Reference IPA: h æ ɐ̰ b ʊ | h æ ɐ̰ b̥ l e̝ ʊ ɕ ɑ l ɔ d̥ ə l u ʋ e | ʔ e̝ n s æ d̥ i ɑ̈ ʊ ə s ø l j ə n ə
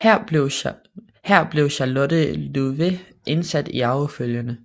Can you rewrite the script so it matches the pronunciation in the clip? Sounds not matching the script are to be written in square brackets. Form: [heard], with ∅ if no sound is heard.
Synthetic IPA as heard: h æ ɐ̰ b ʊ | h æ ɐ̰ b̥ l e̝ ʊ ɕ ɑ l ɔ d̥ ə l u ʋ e | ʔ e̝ n s æ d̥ i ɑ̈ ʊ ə [f] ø l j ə n ə